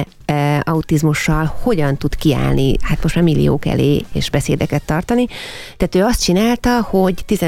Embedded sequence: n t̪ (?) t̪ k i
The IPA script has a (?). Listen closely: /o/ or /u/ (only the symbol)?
u